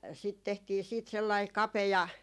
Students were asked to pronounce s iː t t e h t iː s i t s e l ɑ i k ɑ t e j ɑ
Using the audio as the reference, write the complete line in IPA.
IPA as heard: s i t t e h t iː s iː t s e lː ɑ i k ɑ p e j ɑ